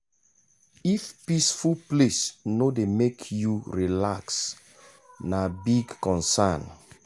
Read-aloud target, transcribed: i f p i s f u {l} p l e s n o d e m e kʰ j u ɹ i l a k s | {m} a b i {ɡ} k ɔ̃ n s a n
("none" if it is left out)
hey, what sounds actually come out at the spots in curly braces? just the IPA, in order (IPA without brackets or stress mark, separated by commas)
l, n, ɡ